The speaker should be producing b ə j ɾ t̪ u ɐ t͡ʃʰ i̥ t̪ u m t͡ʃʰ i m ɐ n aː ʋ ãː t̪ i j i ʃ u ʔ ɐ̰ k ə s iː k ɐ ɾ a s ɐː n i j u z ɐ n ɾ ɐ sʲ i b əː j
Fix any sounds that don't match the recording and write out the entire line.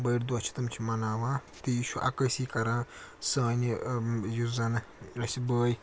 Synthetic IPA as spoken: b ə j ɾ d̪ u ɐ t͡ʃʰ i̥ t̪ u m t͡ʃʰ i m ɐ n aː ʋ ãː t̪ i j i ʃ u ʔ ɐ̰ k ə s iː k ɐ ɾ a s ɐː n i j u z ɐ n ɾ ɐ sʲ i b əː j